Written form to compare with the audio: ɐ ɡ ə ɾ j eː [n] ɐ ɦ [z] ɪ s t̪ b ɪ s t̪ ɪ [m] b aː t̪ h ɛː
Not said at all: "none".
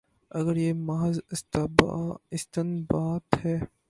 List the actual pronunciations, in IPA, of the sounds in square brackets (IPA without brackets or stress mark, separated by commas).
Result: m, z, n